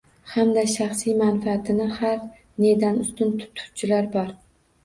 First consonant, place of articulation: glottal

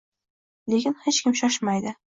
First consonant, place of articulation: alveolar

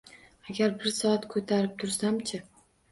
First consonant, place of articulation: velar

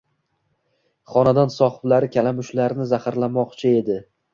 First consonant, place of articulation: uvular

